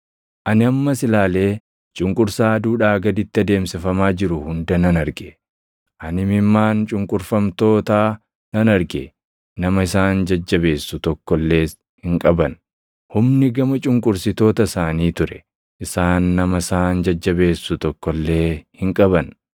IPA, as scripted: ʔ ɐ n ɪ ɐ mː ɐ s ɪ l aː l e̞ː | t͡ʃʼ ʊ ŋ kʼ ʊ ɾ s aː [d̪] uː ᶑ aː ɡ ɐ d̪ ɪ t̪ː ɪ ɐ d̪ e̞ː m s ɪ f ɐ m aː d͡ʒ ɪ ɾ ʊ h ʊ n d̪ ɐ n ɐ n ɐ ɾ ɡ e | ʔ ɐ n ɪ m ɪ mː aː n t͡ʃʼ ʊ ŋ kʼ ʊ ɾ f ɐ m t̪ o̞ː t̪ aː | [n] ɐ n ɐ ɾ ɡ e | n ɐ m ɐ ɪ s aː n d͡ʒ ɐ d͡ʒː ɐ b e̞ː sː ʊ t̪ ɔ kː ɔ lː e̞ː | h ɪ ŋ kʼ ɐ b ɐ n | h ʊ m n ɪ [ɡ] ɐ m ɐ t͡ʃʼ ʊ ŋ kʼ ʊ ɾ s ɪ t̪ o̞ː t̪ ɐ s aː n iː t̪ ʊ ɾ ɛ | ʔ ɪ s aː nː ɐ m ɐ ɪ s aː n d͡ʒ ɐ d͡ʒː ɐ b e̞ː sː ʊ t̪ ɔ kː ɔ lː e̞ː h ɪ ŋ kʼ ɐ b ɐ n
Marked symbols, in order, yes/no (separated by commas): yes, yes, yes